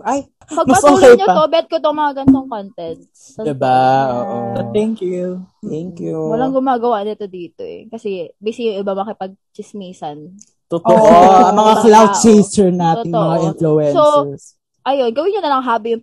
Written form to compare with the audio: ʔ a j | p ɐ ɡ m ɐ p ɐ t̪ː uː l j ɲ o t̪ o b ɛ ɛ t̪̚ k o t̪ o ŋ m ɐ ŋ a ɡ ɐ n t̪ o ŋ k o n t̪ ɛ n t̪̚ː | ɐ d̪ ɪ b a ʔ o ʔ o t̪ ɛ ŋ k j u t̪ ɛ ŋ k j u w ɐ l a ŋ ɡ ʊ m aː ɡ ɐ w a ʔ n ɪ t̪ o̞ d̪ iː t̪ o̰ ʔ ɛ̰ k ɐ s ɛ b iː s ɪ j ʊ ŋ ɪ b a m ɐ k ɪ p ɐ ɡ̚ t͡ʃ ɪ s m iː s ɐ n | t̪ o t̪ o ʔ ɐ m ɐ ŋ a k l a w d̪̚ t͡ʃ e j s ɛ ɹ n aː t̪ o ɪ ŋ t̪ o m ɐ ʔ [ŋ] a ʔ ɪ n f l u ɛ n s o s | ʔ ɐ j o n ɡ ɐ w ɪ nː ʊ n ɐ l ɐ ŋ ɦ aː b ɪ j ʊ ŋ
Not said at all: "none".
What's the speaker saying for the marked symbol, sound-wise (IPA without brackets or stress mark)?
ŋ